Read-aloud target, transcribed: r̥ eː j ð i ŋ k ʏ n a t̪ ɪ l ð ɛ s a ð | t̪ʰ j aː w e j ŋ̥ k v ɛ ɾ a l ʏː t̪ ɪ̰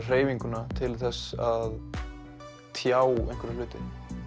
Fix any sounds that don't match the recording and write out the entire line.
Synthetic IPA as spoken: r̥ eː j v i ŋ k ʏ n a t̪ʰ ɪ l θ ɛ s a ð | t̪ʰ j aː w e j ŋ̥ k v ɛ ɾ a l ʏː t̪ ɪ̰

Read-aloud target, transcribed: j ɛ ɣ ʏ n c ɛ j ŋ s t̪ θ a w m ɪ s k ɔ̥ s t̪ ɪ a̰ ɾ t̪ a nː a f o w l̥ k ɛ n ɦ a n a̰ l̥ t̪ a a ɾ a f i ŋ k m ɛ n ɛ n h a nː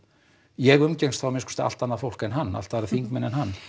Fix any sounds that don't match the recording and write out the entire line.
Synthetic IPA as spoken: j ɛ ɣ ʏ m c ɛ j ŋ s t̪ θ a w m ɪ s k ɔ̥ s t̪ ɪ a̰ l t̪ a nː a f o w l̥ k ɛ n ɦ a nː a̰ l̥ t̪ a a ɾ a θ i ŋ k m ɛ n ɛ n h a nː

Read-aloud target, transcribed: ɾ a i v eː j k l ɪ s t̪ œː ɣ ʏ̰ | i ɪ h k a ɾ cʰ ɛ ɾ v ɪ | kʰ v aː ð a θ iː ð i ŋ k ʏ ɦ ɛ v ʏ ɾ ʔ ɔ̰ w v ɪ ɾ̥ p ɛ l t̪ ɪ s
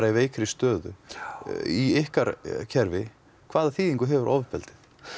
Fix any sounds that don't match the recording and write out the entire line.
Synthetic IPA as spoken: ɾ a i v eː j k ɾ ɪ s t̪ œː ð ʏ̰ | i ɪ h k a ɾ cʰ ɛ ɾ v ɪ | kʰ v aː ð a θ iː ð i ŋ k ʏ ɦ ɛ v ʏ ɾ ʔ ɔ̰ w v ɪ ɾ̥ p ɛ l t̪ ɪ θ

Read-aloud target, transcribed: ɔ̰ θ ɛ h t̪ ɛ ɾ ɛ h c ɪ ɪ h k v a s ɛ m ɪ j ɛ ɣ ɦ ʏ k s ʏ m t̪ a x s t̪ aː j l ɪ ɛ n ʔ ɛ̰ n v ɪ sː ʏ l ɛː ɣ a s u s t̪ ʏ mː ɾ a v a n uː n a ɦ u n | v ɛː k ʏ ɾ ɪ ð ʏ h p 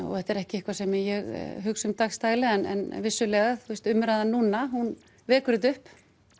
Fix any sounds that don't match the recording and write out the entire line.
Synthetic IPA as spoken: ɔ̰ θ ɛ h t̪ ɛ ɾ ɛ h c ɪ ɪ h k v a s ɛ m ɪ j ɛ ɣ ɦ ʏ k s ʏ m t̪ a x s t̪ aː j l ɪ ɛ n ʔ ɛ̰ n v ɪ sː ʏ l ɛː ɣ a θ u s t̪ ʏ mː ɾ a ð a n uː n a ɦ u n | v ɛː k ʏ ɾ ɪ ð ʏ h p

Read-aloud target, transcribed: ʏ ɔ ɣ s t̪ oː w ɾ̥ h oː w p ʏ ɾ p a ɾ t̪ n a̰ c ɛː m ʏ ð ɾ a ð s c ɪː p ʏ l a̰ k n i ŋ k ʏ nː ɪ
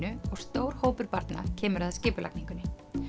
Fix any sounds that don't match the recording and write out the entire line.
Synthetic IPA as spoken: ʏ ɔ ɣ s t̪ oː w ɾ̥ h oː w p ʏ ɾ p a ɾ t̪ n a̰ cʰ ɛː m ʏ ɾ a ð s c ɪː p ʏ l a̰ k n i ŋ k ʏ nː ɪ

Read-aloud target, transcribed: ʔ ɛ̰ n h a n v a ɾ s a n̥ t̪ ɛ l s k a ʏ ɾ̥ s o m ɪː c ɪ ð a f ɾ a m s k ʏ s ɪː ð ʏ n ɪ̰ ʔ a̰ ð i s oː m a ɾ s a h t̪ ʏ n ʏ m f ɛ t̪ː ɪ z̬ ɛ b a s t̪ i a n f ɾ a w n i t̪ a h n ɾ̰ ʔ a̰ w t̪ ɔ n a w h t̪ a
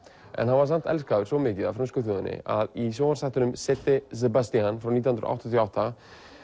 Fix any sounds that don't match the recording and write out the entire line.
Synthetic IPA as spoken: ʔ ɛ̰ n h a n v a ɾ s a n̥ t̪ ɛ l s k a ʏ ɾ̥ s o m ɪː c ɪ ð a f ɾ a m s k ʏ θ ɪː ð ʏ n ɪ̰ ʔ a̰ ð i s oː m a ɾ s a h t̪ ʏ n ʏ m s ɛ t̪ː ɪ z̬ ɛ b a s t̪ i a n f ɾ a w n i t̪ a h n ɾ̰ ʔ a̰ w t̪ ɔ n a w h t̪ a

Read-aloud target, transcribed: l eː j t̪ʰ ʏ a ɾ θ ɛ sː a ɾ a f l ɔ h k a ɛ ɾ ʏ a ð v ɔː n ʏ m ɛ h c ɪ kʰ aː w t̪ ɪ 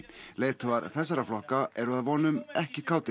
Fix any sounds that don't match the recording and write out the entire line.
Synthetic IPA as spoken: l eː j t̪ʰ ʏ a ɾ θ ɛ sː a ɾ a f l ɔ h k a ɛ ɾ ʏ a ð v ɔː n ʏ m ɛ h c ɪ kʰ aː w t̪ ɪ

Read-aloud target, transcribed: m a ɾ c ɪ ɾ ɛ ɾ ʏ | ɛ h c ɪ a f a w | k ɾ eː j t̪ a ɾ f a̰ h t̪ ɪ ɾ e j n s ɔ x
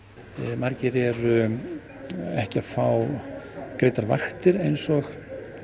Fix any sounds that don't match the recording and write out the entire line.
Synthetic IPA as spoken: m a ɾ c ɪ ɾ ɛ ɾ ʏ | ɛ h c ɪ a f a w | k ɾ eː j t̪ a ɾ v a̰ x t̪ ɪ ɾ e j n s ɔ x

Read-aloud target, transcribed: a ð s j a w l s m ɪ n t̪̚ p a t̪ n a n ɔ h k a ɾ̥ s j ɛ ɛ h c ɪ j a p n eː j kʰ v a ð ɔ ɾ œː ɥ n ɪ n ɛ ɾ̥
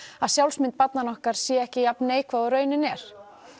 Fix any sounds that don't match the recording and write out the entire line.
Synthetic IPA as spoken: a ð s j a w l s m ɪ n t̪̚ p a t̪ n a n ɔ h k a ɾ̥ s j ɛ ɛ h c ɪ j a p n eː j kʰ v a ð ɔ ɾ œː ɥ n ɪ n ɛ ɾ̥

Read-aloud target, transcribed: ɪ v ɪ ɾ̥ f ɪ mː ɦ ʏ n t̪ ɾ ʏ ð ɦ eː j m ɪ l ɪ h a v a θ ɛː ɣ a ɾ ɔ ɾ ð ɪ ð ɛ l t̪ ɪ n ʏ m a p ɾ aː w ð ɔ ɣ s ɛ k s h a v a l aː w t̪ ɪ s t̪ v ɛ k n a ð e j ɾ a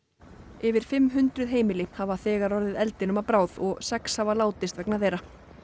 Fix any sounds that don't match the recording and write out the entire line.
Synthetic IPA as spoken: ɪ v ɪ ɾ̥ f ɪ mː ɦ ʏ n t̪ ɾ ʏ ð ɦ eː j m ɪ l ɪ h a v a θ ɛː ɣ a ɾ ɔ ɾ ð ɪ ð ɛ l t̪ ɪ n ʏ m a p ɾ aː w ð ɔ ɣ s ɛ k s h a v a l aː w t̪ ɪ s t̪ v ɛ k n a θ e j ɾ a

